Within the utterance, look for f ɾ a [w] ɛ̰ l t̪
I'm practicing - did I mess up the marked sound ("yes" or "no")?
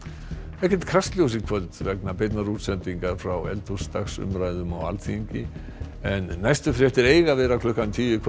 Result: no